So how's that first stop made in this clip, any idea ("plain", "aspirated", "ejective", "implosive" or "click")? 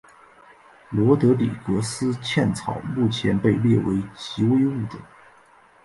plain